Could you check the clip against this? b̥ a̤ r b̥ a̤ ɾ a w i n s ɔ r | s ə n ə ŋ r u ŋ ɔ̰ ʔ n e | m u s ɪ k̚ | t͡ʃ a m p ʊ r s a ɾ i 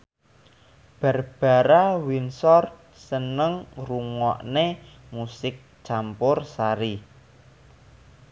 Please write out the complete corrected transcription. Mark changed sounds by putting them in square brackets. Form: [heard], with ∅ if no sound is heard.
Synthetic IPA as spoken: b̥ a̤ r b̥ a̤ ɾ a w i n s ɔ r | s ə n ə ŋ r u ŋ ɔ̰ ʔ n e | m u s ɪ k̚ | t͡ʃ a m p ʊ r s a ɾ i

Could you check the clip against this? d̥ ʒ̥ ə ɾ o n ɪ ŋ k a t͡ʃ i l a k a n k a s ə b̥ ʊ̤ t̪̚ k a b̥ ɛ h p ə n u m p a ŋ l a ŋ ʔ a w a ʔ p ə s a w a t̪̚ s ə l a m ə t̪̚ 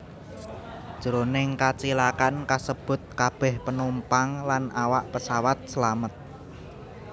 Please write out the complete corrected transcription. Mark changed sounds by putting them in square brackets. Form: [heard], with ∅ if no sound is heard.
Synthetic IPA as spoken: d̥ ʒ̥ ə ɾ o n ɪ ŋ k a t͡ʃ i l a k a n k a s ə b̥ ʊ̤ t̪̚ k a b̥ ɛ h p ə n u m p a ŋ l a [n] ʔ a w a ʔ p ə s a w a t̪̚ s ə l a m ə t̪̚

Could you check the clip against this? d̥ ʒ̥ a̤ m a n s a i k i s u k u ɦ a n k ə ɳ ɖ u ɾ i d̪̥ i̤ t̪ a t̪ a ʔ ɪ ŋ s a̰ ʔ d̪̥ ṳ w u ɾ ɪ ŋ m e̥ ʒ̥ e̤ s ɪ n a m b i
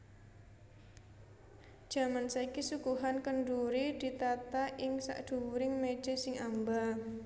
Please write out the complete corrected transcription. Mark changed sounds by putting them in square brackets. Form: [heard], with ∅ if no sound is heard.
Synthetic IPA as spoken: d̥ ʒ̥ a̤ m a n s a i k i s u k u ɦ a n k ə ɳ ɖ u ɾ i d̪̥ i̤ t̪ a t̪ a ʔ ɪ ŋ s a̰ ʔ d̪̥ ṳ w u ɾ ɪ ŋ m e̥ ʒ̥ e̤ s ɪ [ŋ] a m b [a]

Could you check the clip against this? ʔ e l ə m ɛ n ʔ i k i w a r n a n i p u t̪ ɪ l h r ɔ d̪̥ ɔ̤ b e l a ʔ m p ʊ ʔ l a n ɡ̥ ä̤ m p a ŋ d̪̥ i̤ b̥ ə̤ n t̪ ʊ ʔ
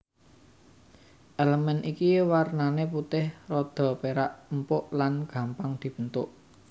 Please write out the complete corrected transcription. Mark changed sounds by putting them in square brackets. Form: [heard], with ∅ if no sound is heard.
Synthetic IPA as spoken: ʔ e l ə m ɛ n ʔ i k i w a r n a n [e] p u t̪ ɪ [∅] h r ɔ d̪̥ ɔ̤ [p] e [ɾ] a ʔ m p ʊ ʔ l a n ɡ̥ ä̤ m p a ŋ d̪̥ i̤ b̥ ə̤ n t̪ ʊ ʔ

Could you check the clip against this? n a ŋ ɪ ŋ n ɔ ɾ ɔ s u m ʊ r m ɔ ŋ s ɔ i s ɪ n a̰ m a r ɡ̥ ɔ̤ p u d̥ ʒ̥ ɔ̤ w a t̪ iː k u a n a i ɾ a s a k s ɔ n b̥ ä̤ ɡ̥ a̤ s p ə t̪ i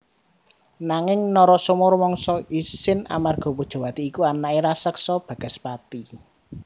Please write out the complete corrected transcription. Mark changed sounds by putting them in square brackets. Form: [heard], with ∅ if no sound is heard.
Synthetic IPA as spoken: n a ŋ ɪ ŋ n ɔ ɾ ɔ s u m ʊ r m ɔ ŋ s ɔ i s ɪ n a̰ m a r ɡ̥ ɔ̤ p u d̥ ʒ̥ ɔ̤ w a t̪ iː k u a n a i ɾ a s [ə] k s ɔ [∅] b̥ ä̤ ɡ̥ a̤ s p [a] t̪ i

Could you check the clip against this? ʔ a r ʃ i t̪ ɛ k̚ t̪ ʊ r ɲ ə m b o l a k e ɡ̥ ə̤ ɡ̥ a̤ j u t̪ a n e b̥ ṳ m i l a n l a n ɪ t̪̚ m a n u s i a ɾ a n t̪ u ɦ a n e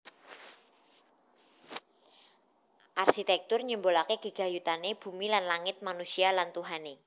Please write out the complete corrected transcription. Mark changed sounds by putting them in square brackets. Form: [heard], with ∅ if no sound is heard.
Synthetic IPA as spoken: ʔ a r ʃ i t̪ ɛ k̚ t̪ ʊ r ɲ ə m b o l a k e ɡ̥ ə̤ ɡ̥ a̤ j u t̪ a n e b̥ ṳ m i l a n l a [ŋ] ɪ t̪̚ m a n u s i a [l] a n t̪ u ɦ a n e

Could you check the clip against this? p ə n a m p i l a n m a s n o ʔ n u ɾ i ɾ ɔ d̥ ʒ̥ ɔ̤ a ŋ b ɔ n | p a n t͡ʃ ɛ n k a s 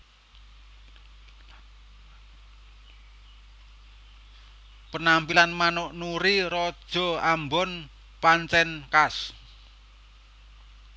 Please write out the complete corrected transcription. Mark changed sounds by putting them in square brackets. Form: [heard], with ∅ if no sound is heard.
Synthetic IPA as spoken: p ə n a m p i l a n m a [∅] n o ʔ n u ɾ i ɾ ɔ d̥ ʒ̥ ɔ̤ a [m] b ɔ n | p a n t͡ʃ ɛ n k a s

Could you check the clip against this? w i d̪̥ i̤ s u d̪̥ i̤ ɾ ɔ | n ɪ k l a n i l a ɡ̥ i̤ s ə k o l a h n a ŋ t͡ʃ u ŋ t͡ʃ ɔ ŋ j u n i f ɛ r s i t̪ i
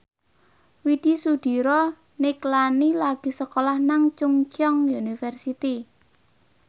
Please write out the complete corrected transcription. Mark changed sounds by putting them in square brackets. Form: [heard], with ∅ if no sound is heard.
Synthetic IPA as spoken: w i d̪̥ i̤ s u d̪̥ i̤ ɾ ɔ | n ɪ k l a n i l a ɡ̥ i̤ s ə k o l a h n a ŋ t͡ʃ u ŋ t͡ʃ ɔ ŋ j u n i f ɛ r s i t̪ i

